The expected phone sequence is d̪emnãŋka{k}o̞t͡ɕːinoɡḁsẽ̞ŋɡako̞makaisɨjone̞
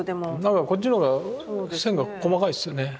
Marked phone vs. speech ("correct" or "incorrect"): correct